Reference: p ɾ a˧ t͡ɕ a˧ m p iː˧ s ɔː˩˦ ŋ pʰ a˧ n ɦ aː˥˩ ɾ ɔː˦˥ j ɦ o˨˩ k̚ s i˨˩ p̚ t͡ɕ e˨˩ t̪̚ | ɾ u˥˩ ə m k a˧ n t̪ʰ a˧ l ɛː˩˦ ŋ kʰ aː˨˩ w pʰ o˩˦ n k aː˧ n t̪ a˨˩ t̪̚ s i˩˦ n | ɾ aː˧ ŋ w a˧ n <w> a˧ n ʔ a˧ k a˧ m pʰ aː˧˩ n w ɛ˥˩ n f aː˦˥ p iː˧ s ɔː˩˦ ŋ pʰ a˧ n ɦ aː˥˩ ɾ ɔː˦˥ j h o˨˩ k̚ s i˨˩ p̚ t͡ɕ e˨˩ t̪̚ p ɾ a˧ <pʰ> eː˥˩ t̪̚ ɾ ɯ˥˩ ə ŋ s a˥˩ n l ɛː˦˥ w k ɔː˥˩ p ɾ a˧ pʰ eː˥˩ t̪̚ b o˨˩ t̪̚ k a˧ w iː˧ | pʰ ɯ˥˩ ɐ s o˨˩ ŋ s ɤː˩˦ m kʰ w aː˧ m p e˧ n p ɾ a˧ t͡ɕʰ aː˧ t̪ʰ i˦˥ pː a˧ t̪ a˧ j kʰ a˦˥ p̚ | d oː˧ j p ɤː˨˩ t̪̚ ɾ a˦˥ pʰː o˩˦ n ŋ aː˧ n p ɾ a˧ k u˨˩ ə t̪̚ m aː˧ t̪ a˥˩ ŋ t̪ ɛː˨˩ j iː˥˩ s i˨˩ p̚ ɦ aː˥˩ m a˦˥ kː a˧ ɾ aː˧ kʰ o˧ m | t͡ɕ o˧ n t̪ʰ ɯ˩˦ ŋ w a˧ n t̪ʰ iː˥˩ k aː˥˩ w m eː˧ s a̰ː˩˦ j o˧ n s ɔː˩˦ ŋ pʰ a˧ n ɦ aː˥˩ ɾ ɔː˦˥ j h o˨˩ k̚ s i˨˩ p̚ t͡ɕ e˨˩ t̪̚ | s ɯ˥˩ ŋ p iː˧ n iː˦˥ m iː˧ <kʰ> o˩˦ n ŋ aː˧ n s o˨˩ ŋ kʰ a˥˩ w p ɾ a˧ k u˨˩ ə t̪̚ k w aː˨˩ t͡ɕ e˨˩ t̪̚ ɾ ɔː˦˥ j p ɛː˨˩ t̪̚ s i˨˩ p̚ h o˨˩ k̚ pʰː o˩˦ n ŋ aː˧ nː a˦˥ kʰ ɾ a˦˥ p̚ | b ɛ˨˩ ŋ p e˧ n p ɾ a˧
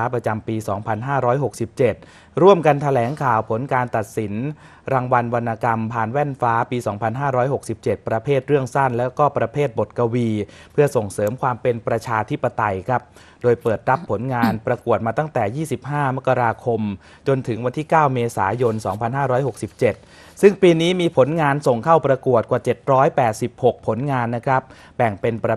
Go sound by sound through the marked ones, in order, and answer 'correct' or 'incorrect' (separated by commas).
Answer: correct, correct, incorrect